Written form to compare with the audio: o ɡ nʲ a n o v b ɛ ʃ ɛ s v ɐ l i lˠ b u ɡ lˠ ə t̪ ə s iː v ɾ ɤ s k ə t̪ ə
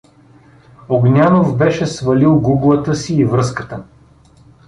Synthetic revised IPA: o ɡ nʲ a n o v b ɛ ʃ ɛ s v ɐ l i lˠ ɡ u ɡ lˠ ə t̪ ə s iː v ɾ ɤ s k ə t̪ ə